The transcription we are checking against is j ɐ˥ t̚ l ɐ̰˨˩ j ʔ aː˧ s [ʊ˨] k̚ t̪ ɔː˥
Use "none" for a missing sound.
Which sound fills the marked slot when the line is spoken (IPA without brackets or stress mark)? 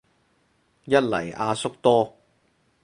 ʊ˥